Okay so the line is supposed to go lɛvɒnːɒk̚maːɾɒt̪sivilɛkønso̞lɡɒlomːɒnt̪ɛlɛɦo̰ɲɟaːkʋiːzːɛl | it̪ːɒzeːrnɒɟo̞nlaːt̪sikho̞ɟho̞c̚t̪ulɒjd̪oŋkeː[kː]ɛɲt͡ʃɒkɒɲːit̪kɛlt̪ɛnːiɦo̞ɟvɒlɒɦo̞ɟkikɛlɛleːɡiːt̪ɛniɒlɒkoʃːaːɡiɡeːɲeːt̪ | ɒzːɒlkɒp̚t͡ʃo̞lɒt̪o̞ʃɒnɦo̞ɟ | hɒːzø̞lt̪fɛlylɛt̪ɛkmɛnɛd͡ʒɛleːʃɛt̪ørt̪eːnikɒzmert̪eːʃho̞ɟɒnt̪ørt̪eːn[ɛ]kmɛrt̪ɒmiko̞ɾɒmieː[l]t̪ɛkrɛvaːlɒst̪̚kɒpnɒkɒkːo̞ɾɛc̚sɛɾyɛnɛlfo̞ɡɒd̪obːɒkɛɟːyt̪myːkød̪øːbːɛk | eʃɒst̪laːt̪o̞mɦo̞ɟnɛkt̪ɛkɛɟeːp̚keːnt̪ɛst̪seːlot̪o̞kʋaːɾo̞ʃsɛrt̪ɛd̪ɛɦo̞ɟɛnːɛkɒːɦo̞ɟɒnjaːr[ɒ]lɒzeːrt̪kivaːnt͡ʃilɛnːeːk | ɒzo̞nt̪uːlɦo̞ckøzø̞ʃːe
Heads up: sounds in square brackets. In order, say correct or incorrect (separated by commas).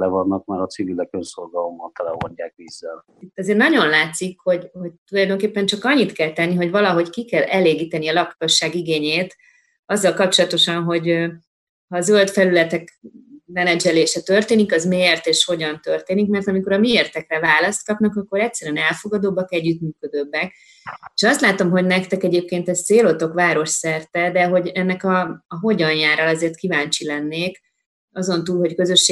incorrect, incorrect, incorrect, correct